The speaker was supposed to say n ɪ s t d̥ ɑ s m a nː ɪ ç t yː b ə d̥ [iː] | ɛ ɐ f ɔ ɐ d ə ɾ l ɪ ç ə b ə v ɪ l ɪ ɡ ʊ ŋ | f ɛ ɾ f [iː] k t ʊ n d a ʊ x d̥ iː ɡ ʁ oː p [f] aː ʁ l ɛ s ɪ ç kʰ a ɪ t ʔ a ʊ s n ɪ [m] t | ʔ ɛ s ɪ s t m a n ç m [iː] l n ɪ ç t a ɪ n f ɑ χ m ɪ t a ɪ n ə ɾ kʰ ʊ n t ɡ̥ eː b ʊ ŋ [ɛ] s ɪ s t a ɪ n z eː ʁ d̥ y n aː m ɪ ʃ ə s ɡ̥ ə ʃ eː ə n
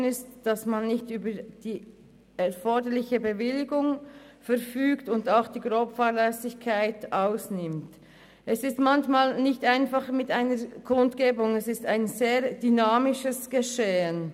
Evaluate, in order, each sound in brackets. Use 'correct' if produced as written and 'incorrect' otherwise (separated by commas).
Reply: correct, incorrect, correct, correct, incorrect, correct